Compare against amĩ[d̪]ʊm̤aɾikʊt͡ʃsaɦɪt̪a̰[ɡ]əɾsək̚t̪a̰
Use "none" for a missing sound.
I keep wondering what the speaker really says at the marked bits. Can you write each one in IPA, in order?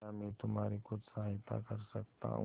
t̪, k

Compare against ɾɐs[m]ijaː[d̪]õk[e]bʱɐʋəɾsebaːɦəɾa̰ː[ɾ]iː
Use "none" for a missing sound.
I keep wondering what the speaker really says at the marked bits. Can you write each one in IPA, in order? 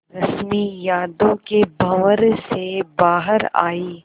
m, d̪, e, none

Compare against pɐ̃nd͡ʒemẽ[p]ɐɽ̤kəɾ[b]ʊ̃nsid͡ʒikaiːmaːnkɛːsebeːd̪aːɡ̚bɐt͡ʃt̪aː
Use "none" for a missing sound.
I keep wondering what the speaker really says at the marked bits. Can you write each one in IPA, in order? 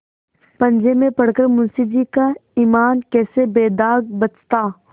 p, m

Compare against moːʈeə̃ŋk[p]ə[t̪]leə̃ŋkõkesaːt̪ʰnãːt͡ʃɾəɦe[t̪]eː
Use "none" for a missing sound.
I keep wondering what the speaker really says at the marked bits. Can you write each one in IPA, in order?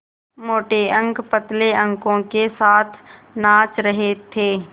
p, t̪, t̪ʰ

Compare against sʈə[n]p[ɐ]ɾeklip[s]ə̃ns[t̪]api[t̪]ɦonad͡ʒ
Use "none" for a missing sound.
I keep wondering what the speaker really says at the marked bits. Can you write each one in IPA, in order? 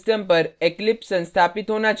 m, ə, s, t̪ʰ, t̪

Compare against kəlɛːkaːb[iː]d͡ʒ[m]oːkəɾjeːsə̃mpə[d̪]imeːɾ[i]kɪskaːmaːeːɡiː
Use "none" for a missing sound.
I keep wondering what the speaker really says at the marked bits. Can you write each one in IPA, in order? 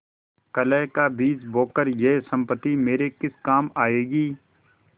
iː, b, t̪, e

